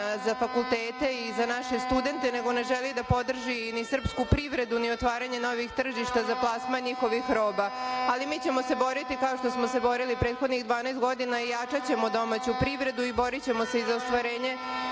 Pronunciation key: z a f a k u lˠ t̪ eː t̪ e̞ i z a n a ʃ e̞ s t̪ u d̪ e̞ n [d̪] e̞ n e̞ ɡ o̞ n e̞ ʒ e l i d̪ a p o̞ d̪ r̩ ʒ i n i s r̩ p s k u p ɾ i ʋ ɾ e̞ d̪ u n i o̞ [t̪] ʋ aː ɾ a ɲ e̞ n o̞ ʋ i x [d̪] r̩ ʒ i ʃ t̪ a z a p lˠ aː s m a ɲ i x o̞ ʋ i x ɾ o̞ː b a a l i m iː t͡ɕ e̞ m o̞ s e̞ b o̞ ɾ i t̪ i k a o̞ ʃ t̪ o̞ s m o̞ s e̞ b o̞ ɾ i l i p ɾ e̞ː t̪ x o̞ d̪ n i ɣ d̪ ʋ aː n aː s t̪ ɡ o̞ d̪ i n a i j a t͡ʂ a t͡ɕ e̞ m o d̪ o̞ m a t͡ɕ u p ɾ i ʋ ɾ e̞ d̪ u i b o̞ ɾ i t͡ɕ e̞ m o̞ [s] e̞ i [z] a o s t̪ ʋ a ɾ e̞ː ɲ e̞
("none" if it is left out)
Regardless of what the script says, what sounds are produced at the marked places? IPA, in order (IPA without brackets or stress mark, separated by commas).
t̪, t̪, t̪, s, z